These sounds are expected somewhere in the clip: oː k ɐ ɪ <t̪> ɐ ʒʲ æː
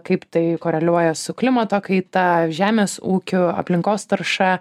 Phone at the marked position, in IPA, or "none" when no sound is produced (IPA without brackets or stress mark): t̪